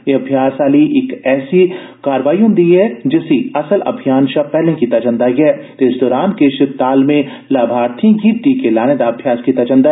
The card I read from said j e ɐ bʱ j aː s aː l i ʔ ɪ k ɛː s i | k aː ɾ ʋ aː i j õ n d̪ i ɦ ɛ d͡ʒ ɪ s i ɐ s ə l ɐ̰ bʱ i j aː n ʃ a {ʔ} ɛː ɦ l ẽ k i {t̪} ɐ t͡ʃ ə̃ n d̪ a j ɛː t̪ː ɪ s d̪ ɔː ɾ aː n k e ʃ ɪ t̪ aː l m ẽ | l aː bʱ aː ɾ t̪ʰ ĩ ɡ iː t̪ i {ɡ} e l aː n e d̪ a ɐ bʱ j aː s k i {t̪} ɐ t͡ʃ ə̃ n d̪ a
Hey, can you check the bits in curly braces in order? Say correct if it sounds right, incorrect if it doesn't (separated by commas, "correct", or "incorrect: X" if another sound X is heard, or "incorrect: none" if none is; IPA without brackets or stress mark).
incorrect: p, correct, incorrect: k, correct